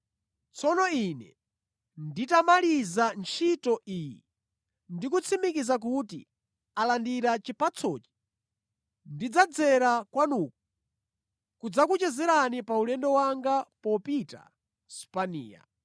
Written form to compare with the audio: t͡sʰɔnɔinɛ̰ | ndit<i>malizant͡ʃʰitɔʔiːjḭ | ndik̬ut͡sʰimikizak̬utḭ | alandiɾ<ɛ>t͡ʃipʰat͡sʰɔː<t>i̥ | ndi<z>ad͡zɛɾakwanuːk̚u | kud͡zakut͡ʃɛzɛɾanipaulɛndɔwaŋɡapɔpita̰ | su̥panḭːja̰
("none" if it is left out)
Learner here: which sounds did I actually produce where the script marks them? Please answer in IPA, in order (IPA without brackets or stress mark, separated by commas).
a, a, t͡ʃ, d͡z